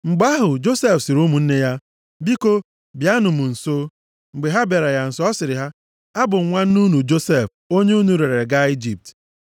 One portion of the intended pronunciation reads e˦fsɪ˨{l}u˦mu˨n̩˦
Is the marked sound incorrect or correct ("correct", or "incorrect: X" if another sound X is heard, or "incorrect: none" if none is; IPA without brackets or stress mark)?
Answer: incorrect: ɾ